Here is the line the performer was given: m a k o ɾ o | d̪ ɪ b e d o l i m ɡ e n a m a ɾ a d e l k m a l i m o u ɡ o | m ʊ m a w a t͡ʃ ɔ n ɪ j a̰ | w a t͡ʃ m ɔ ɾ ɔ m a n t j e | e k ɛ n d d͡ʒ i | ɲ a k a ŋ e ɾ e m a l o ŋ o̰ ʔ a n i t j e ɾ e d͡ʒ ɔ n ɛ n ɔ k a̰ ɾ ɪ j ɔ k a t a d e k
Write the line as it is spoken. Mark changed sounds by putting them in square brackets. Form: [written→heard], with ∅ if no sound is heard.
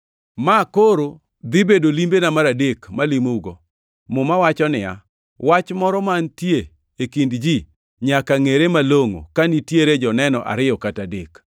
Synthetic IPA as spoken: m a k o ɾ o | d̪ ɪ b e d o l i m [ɡ→b] e n a m a ɾ a d e [l→∅] k m a l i m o u ɡ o | m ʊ m a w a t͡ʃ ɔ n ɪ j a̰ | w a t͡ʃ m ɔ ɾ ɔ m a n t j e | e k [ɛ→i] n d d͡ʒ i | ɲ a k a ŋ e ɾ e m a l o ŋ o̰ [ʔ→k] a n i t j e ɾ e d͡ʒ ɔ n ɛ n ɔ [k→ʔ] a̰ ɾ ɪ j ɔ k a t a d e k